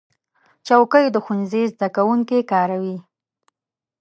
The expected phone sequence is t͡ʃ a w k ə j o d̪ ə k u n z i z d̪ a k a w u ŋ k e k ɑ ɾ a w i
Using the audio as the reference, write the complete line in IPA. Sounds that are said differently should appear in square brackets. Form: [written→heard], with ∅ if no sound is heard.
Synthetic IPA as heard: t͡ʃ a w k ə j o d̪ ə [k→x] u n z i z d̪ a k a w u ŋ k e k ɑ ɾ a w i